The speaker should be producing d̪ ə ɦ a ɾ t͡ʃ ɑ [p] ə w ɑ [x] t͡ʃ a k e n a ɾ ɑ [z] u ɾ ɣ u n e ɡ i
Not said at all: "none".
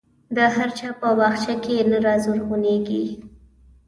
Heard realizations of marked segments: p, x, z

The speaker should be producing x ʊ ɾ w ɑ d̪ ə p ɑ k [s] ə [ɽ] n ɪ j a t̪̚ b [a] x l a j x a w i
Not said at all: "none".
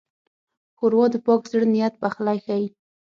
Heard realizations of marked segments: z, ɽ, a

